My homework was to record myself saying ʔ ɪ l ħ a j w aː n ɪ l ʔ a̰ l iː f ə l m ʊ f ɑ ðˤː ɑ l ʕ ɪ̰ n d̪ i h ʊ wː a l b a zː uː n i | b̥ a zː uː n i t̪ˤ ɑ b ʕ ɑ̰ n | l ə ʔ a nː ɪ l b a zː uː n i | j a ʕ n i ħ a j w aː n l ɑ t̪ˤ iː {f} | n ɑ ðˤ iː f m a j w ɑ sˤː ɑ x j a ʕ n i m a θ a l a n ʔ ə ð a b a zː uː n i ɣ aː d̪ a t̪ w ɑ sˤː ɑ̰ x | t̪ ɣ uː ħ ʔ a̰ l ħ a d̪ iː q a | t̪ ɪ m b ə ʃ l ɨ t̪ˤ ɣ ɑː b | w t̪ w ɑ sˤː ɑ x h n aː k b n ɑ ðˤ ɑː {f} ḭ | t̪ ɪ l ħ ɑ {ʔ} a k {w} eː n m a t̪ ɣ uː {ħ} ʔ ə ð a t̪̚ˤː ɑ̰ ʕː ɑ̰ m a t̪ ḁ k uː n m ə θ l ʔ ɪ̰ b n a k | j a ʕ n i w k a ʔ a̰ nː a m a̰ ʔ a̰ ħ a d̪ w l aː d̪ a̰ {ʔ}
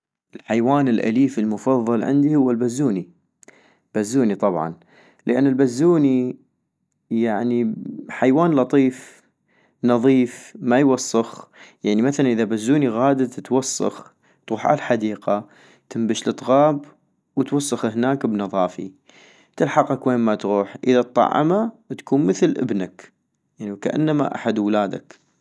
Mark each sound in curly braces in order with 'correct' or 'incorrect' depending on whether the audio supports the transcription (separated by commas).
correct, correct, incorrect, correct, correct, incorrect